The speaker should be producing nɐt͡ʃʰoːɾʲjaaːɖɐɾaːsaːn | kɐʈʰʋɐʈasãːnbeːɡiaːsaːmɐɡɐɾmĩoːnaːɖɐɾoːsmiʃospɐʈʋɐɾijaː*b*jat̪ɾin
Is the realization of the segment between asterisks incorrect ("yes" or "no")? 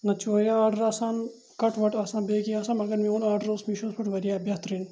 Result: no